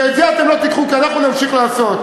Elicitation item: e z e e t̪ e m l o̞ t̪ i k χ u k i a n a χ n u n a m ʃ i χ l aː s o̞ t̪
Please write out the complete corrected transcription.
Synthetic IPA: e z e a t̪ e m l o̞ t̪ i k χ u k i a n a χ n u n a m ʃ i χ l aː s o̞ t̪